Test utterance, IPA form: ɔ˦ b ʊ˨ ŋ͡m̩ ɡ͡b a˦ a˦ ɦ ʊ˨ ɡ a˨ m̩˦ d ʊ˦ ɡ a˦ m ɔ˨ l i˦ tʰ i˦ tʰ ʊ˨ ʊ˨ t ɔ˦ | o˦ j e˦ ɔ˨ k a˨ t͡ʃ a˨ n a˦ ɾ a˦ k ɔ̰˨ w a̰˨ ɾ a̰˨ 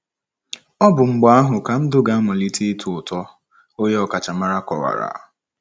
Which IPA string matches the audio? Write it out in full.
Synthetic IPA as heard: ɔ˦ b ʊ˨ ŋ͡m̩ ɡ͡b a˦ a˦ ɦ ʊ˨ k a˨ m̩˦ d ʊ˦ ɡ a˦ m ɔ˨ l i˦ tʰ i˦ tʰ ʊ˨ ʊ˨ t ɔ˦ | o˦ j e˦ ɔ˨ k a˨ t͡ʃ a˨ m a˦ ɾ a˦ k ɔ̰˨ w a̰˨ ɾ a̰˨

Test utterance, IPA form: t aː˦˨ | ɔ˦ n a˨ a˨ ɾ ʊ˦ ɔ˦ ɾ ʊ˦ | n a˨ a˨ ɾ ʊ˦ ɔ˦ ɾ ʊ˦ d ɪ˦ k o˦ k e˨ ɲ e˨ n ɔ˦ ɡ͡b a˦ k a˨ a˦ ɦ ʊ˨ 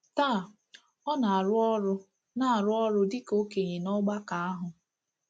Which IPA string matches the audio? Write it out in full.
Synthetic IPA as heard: t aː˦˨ | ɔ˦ n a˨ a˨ ɾ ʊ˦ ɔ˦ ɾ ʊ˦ | n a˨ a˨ ɾ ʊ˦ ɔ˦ ɾ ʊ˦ d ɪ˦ k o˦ k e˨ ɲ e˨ n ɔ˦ ɡ͡b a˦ k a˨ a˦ ɦ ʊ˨

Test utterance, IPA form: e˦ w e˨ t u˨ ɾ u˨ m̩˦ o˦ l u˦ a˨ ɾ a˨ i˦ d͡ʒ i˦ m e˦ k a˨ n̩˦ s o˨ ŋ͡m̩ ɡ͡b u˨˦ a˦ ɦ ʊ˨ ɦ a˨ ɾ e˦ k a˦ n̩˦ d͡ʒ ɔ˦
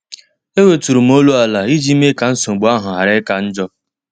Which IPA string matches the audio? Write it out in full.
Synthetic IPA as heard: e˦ w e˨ t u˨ ɾ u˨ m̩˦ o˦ l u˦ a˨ l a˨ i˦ d͡ʒ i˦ m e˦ k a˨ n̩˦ s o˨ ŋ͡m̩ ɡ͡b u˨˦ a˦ ɦ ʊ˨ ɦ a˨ ɾ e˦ k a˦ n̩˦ d͡ʒ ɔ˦

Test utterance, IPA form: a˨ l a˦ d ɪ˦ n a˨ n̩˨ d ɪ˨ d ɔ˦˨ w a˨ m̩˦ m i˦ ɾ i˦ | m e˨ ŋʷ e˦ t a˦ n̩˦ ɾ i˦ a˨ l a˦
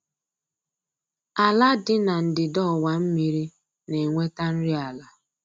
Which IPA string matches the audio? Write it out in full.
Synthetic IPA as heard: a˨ l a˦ d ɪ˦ n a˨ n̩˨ d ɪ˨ d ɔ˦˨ w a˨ m̩˦ m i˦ ɾ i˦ | n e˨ ŋʷ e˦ t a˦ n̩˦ ɾ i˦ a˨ l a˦

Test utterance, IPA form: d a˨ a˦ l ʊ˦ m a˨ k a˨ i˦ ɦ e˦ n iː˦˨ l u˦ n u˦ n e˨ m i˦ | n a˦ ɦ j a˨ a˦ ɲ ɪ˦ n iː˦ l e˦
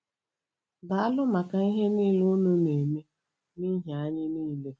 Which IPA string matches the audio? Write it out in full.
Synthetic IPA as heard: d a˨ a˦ l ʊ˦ m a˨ k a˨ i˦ ɦ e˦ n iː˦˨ l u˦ n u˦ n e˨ m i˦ | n i˦ ɦ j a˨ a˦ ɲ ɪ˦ n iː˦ l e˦

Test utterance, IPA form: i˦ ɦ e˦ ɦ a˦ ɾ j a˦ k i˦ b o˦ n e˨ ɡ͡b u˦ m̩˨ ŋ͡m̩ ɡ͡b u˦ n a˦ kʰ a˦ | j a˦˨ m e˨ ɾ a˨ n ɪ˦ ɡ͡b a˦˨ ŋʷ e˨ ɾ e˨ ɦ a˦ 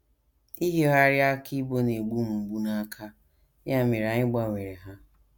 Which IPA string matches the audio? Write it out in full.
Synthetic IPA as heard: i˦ ɦ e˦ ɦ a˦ ɾ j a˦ k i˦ b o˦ n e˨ ɡ͡b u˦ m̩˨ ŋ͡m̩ ɡ͡b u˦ n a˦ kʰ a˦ | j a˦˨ m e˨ ɾ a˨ ɲ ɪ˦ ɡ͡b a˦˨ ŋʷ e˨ ɾ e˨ ɦ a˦

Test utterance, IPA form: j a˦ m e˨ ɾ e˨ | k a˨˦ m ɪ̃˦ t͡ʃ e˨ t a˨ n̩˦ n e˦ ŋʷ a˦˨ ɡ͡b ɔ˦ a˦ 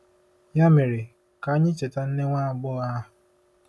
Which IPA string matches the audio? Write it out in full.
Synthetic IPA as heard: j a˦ m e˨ ɾ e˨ | k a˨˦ ɲ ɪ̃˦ t͡ʃ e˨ t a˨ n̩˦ n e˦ ŋʷ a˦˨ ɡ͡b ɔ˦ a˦

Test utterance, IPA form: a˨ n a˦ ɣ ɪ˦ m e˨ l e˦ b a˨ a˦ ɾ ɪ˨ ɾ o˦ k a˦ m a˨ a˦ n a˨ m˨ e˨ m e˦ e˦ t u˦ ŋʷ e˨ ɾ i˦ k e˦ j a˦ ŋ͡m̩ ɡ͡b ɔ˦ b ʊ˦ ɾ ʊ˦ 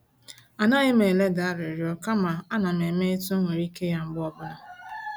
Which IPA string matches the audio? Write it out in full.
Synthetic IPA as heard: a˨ n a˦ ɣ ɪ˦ m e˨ l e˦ d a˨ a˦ ɾ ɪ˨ ɾ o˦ k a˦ m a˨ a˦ n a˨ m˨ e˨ m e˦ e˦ t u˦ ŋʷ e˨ ɾ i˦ k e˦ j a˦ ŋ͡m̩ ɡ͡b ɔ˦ b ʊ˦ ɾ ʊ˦

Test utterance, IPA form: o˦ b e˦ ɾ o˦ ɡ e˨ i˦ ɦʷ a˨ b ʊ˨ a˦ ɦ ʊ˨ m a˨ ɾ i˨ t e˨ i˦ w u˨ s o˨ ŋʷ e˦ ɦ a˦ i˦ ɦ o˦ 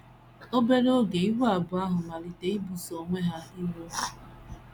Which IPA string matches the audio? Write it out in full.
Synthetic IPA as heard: o˦ b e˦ ɾ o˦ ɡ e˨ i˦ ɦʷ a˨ b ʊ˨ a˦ ɦ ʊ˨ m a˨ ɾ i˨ t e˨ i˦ b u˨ s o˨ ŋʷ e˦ ɦ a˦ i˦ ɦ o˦

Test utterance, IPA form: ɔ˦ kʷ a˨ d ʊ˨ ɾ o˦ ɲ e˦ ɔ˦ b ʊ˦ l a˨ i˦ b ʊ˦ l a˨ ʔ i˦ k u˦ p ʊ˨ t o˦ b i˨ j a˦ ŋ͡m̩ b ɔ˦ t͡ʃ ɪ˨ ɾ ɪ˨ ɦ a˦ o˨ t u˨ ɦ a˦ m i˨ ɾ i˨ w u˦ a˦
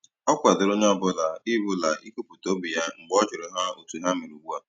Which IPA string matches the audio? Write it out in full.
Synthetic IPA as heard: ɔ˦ kʷ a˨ d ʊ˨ ɾ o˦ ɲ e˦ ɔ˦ b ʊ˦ l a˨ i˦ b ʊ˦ l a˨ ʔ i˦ k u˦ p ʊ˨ t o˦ b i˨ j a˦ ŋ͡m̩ ɡ͡b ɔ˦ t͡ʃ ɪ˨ ɾ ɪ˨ ɦ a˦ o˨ t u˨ ɦ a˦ m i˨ ɾ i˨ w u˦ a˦

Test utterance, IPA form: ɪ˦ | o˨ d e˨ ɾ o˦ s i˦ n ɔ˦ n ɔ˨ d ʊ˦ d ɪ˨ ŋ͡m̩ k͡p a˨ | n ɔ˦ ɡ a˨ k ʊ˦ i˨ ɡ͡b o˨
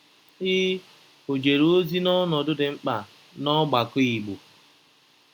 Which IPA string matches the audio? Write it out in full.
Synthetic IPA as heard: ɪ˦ | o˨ d͡ʒ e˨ ɾ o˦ z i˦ n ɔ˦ n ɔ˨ d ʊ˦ d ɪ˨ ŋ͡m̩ k͡p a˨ | n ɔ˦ ɡ͡b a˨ k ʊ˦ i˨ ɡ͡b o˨

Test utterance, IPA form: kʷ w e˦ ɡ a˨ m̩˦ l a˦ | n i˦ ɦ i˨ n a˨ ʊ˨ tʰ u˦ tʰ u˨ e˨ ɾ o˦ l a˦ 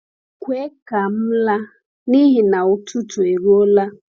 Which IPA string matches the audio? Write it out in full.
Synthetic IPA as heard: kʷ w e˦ k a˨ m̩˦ l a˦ | n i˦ ɦ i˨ n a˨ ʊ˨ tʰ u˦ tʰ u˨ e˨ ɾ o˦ l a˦

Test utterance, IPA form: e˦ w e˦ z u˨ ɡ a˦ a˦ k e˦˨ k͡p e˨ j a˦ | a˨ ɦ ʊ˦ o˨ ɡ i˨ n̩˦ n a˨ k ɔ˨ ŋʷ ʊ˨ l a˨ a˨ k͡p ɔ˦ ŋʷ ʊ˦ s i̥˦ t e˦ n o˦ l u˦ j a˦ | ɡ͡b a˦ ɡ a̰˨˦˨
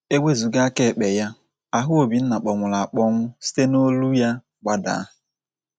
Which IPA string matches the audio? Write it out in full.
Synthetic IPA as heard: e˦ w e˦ z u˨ ɡ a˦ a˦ k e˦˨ k͡p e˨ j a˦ | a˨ ɦ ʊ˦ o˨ b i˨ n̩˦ n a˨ k͡p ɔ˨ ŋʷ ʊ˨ l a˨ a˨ k͡p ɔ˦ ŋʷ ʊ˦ s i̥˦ t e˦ n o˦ l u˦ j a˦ | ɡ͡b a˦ d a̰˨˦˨

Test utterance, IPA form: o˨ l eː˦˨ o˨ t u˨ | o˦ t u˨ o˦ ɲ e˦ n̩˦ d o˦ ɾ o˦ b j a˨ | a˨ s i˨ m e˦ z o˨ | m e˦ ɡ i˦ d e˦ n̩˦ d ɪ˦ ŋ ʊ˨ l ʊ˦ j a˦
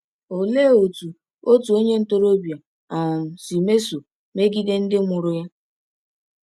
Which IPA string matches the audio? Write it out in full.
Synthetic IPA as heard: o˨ l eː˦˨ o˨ t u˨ | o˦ t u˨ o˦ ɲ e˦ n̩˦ t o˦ ɾ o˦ b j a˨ | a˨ s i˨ m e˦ s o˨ | m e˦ ɡ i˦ d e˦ n̩˦ d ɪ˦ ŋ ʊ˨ ɾ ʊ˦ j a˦

